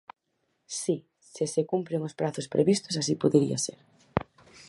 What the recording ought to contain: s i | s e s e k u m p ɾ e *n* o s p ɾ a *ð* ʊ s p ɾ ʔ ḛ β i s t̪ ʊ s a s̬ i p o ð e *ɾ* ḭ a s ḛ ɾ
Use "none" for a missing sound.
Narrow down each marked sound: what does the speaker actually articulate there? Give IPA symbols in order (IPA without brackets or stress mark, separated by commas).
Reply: ŋ, θ, ɾ